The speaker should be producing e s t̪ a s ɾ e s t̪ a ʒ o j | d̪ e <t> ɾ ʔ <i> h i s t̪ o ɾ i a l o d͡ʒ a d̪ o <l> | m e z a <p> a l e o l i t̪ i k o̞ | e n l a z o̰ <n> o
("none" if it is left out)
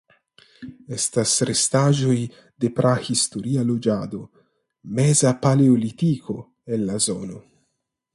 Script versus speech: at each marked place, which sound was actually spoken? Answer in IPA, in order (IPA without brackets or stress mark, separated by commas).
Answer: p, a, none, p, n